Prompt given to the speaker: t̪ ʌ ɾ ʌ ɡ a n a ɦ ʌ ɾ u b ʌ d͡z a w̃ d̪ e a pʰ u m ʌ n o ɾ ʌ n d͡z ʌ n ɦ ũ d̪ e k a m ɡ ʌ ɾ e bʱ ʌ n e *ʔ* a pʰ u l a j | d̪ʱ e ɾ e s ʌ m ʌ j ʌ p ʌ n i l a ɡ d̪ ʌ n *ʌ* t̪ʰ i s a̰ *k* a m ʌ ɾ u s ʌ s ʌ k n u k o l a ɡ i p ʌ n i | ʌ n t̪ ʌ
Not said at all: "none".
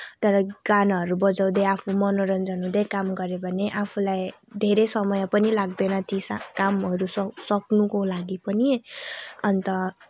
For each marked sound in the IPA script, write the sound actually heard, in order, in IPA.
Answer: ʔ, ʌ, k

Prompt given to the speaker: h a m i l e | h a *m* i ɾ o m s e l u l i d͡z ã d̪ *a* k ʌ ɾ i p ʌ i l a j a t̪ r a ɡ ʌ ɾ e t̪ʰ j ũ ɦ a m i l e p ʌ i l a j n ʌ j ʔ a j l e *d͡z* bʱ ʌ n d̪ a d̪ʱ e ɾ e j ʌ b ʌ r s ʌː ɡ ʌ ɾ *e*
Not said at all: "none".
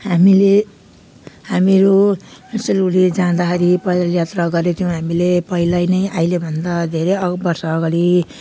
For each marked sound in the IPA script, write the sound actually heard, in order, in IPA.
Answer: m, a, none, i

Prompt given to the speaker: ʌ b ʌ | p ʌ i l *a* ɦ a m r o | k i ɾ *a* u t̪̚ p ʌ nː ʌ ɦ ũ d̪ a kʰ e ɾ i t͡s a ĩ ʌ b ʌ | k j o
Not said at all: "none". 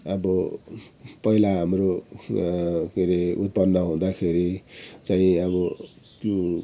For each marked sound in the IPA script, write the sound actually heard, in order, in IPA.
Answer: a, e

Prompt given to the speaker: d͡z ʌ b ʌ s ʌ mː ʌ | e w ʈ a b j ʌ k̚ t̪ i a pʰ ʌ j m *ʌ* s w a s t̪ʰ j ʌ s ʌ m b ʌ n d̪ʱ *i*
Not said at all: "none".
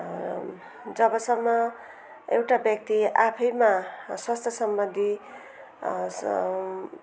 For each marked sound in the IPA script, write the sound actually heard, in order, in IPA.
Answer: a, i

